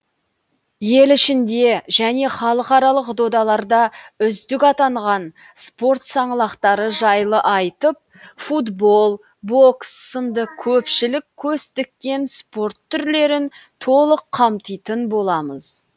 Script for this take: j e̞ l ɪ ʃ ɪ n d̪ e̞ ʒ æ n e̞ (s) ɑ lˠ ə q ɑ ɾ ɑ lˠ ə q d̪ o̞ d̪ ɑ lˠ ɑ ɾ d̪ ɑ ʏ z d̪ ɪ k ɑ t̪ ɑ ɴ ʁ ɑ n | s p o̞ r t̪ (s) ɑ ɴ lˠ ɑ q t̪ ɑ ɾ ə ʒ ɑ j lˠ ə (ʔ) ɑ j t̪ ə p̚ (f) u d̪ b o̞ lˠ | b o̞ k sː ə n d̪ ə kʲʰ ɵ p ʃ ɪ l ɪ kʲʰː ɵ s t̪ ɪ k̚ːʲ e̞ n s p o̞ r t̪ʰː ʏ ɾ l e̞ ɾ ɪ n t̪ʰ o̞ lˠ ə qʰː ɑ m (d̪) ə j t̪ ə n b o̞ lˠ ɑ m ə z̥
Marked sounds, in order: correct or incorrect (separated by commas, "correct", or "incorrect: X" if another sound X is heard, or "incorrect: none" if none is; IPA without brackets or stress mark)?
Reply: incorrect: χ, correct, correct, correct, incorrect: t̪